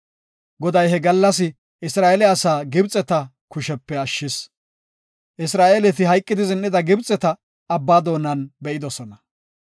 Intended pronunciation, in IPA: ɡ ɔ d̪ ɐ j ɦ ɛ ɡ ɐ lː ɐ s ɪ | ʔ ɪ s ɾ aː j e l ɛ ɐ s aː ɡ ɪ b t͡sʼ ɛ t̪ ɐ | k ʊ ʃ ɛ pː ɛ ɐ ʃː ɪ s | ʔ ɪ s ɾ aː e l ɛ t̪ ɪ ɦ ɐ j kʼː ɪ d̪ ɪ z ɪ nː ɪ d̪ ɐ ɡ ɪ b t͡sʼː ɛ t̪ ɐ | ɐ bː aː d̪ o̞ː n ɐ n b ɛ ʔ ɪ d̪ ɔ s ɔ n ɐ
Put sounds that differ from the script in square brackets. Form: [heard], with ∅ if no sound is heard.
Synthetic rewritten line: ɡ ɔ d̪ ɐ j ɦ ɛ ɡ ɐ lː ɐ s ɪ | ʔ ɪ s ɾ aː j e l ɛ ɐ s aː ɡ ɪ b t͡sʼ ɛ t̪ ɐ | k ʊ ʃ ɛ pː ɛ ɐ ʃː ɪ s | ʔ ɪ s ɾ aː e l ɛ t̪ ɪ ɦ ɐ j kʼː ɪ d̪ ɪ z ɪ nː ɪ d̪ ɐ ɡ ɪ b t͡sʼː ɛ t̪ ɐ | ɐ bː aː d̪ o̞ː n ɐ n b ɛ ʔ ɪ d̪ ɔ s ɔ n ɐ